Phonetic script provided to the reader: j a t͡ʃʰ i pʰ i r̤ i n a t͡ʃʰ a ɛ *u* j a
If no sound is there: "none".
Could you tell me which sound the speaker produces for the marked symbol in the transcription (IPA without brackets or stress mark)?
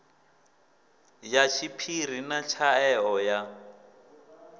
ɔ